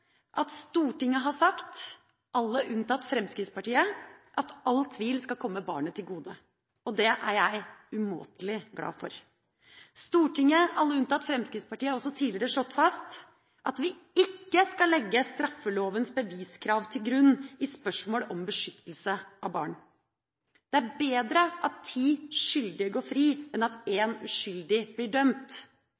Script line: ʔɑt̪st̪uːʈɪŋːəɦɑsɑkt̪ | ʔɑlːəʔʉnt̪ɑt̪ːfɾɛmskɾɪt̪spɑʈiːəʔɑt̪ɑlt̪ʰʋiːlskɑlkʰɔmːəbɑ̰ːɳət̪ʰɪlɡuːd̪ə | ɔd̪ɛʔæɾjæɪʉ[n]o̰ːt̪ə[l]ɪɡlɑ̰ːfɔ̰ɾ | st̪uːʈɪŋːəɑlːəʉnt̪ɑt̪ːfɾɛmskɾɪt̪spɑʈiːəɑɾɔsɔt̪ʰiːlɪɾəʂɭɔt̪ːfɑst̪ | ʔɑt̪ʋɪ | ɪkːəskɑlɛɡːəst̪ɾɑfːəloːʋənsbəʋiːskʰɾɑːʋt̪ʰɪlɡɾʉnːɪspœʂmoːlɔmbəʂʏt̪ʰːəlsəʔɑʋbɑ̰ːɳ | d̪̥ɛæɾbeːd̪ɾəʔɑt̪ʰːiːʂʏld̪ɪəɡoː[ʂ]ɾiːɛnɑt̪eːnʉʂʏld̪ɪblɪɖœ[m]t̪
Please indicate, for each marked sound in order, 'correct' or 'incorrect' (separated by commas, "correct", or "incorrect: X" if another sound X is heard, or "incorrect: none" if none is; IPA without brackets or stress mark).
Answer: incorrect: m, correct, incorrect: f, correct